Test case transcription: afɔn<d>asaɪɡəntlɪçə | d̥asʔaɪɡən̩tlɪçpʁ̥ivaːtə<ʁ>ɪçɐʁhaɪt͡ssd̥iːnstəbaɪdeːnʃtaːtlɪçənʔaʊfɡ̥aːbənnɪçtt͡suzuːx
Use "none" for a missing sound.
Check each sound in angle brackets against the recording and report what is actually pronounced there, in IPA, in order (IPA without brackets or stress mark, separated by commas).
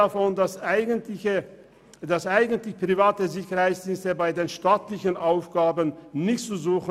d, z